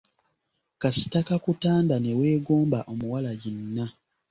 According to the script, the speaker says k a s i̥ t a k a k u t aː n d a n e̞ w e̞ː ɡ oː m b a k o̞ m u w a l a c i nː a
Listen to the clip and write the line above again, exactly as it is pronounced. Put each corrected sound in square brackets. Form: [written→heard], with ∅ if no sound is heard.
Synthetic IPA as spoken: k a s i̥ t a k a k u t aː n d a n e̞ w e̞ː ɡ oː m b a [k→ʔ] o̞ m u w a l a [c→ɟ] i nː a